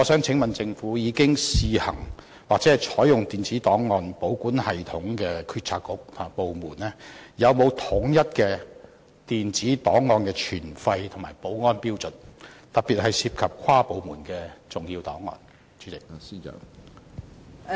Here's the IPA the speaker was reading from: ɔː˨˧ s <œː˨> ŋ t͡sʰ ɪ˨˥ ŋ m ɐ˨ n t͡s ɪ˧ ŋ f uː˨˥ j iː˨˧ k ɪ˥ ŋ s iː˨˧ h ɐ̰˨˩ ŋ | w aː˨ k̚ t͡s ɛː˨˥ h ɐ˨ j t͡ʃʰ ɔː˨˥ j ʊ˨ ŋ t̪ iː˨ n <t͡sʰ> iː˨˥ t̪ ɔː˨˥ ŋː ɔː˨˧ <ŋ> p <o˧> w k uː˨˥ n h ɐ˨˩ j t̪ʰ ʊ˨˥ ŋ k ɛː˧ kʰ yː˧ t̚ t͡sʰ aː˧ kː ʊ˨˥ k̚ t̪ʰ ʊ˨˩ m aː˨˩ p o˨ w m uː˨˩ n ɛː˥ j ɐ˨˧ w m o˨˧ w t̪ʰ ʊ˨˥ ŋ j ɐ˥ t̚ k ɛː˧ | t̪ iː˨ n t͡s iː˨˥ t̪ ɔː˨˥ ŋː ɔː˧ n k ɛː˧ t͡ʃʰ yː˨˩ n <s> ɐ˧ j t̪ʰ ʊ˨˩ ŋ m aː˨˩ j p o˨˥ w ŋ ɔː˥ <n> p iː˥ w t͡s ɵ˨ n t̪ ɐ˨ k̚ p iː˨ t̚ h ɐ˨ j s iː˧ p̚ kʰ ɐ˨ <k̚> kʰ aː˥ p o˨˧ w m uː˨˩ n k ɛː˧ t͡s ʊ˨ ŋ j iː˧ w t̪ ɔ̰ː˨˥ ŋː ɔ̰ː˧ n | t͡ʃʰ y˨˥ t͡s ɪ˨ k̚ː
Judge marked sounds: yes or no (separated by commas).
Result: no, no, no, no, no, yes, no